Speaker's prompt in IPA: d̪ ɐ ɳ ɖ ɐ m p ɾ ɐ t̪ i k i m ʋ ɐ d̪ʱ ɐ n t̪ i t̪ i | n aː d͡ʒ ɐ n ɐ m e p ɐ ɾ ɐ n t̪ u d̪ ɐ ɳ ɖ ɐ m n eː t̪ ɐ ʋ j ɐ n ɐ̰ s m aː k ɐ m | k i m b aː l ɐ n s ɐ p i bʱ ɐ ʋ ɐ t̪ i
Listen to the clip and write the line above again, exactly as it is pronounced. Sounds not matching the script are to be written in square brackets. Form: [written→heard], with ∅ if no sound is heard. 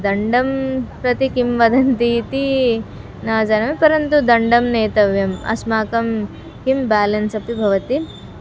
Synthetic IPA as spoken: d̪ ɐ ɳ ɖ ɐ m p ɾ ɐ t̪ i k i m ʋ ɐ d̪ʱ ɐ n t̪ i t̪ i | n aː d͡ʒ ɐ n ɐ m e p ɐ ɾ ɐ n t̪ u d̪ ɐ ɳ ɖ ɐ m n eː t̪ ɐ ʋ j ɐ [n→m] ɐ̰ s m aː k ɐ m | k i m b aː l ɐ n s ɐ p i bʱ ɐ ʋ ɐ t̪ i